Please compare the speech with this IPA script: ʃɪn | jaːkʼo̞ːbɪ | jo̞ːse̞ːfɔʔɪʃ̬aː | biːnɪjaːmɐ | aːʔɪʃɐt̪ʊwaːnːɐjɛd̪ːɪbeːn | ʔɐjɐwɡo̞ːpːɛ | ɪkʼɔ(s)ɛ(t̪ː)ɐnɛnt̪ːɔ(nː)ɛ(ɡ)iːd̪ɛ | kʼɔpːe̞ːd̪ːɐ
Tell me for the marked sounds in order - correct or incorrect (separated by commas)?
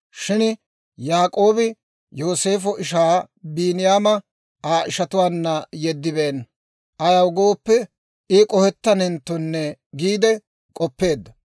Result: incorrect, correct, correct, correct